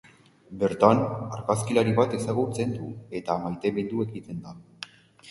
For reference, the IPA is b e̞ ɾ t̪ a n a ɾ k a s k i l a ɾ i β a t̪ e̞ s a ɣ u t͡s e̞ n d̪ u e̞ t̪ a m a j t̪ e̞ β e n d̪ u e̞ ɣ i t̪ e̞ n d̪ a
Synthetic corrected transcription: b e̞ ɾ t̪ a n a ɾ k a s k i l a ɾ i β a t̪ e̞ s a ɣ u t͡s e̞ n d̪ u e̞ t̪ a m a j t̪ e̞ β e n d̪ u e̞ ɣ i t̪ e̞ n d̪ a